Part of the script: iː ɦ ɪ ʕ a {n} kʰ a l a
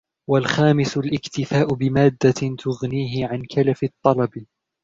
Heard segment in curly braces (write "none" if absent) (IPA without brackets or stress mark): n